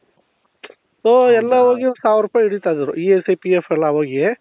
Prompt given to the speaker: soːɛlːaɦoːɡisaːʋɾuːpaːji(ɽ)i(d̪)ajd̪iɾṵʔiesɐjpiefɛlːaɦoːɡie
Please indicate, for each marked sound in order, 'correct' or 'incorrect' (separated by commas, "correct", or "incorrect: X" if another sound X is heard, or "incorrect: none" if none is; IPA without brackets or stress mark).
correct, incorrect: t̪